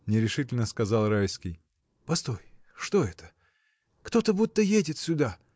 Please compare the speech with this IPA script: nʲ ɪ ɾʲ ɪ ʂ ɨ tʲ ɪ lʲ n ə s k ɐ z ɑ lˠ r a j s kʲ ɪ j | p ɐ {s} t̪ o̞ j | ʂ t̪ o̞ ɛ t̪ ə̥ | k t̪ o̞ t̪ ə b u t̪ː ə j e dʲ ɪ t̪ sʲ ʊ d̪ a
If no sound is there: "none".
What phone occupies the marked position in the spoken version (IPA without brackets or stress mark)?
s